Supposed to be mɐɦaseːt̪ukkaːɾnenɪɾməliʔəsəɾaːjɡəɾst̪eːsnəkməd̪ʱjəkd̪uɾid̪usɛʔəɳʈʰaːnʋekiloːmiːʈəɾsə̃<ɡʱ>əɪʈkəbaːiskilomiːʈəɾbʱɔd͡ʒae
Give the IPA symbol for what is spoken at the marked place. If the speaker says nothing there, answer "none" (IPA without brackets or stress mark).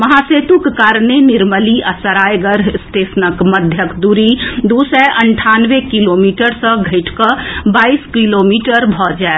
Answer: ɡʱ